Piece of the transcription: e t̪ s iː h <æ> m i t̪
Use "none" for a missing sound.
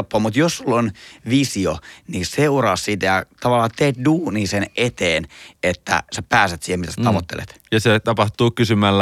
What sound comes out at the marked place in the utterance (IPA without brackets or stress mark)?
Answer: e